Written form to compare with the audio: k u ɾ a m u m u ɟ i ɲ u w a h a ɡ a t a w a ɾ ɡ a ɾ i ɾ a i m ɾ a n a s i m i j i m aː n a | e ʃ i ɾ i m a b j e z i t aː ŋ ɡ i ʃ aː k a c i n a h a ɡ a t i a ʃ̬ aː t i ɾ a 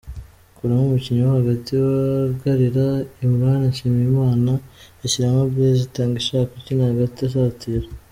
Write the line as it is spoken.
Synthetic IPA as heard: k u ɾ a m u m u c i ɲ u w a h a ɡ a t i w a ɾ ɡ a ɾ i ɾ a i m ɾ a n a ʃ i m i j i m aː n a | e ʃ i ɾ a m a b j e z i t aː ŋ ɡ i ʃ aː k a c i n a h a ɡ a t i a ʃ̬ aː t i ɾ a